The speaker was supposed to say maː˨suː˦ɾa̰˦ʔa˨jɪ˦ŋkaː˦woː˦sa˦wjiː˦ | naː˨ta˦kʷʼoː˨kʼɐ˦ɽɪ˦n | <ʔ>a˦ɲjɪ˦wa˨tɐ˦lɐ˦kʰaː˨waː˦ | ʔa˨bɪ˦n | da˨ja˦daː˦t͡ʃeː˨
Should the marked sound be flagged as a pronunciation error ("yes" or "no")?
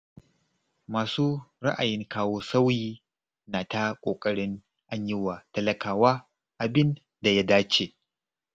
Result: no